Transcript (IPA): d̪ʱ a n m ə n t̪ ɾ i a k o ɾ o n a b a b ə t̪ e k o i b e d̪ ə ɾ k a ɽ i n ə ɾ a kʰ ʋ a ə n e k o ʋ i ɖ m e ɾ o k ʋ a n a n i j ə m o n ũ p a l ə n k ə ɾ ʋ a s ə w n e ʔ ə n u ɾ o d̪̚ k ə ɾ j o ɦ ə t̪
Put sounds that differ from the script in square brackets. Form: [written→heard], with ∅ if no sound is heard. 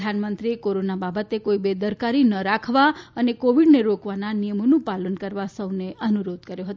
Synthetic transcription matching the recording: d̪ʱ a n m ə n t̪ ɾ i [a→e] k o ɾ o n a b a b ə t̪ e k o i b e d̪ ə ɾ k a [ɽ→ɾ] i n ə ɾ a kʰ ʋ a ə n e k o ʋ i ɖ [m→n] e ɾ o k ʋ a n a n i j ə m o n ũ p a l ə n k ə ɾ ʋ a s ə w n e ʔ ə n u ɾ o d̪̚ k ə ɾ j o ɦ ə t̪